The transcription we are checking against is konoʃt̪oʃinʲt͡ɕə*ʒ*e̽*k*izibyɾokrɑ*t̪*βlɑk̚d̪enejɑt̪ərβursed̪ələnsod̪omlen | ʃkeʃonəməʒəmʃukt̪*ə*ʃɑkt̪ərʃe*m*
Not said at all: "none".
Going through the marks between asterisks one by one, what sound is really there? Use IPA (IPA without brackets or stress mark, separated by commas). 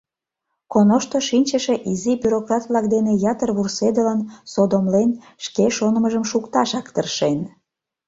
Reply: ʃ, ʔ, t̪, ɑ, n